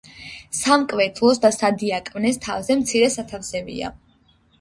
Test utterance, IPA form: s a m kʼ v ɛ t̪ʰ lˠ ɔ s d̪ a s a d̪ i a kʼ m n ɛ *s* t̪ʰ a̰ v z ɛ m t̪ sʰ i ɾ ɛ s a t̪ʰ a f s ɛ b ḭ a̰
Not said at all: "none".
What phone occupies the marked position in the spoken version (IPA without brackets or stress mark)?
s